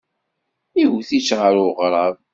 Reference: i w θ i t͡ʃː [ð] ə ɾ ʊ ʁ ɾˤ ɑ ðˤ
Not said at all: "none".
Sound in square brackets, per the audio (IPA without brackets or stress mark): ʁ